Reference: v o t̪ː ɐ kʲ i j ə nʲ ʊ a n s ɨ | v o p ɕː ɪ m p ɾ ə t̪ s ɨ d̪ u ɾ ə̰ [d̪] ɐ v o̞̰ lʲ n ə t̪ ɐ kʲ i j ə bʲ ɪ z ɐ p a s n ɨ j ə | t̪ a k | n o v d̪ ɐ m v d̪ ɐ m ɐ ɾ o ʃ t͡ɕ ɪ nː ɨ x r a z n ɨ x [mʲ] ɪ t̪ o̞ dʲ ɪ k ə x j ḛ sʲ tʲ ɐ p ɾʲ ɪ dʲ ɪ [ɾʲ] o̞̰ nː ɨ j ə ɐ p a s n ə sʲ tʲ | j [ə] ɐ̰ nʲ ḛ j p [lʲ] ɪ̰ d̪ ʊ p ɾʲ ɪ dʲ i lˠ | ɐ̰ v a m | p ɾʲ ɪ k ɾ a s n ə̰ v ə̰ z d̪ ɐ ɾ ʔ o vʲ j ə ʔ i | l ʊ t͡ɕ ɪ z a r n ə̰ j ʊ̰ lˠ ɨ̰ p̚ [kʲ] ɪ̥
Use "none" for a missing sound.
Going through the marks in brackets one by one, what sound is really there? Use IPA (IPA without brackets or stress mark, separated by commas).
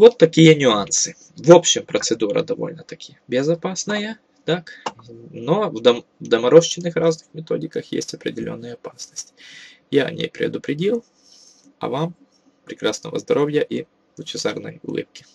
d̪, mʲ, lʲ, a, ɾʲ, kʲ